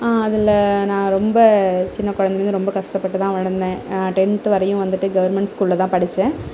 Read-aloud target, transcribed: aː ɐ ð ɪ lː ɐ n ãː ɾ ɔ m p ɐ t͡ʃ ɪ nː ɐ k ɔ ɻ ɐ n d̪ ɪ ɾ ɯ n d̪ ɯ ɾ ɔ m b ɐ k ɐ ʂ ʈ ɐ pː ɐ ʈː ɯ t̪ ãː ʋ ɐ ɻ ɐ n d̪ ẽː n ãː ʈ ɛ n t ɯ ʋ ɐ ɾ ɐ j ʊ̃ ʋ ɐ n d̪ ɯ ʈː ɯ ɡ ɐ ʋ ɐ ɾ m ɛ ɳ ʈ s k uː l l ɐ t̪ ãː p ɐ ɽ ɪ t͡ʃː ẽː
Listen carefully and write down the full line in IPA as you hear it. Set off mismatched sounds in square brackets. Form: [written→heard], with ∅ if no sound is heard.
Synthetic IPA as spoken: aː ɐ ð ɪ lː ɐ n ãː ɾ ɔ m [p→b] ɐ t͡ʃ ɪ nː ɐ k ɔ ɻ ɐ n d̪ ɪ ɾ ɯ n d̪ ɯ ɾ ɔ m b ɐ k ɐ ʂ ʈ ɐ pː ɐ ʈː ɯ t̪ ãː ʋ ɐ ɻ ɐ n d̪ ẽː n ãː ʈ ɛ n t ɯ ʋ ɐ ɾ ɐ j ʊ̃ ʋ ɐ n d̪ ɯ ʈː ɯ ɡ ɐ ʋ ɐ ɾ m ɛ ɳ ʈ s k uː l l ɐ t̪ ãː p ɐ ɽ ɪ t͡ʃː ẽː